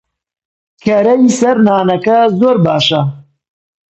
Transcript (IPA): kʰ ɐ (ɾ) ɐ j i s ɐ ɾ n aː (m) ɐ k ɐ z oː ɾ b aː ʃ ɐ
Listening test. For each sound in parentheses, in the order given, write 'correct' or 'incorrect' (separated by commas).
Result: correct, incorrect